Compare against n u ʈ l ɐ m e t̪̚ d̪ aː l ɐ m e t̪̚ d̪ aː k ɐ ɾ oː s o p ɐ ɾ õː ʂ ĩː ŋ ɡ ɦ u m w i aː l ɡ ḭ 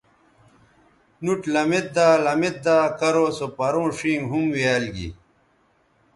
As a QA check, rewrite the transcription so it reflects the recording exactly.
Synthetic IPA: n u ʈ l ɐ m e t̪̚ d̪ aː l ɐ m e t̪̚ d̪ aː k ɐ ɾ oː s o p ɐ ɾ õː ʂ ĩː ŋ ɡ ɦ u m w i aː l ɡ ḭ